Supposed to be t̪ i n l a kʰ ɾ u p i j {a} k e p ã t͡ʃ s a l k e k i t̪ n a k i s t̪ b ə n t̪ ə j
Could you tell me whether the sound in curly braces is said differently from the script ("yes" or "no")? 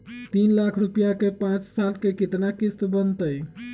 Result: no